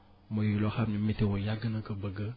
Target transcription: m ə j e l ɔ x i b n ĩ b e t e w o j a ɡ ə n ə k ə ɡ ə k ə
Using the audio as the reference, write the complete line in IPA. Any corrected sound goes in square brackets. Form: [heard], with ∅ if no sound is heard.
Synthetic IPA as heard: m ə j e l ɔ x [a] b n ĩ [m] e t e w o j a ɡ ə n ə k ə [b] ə [ɡ] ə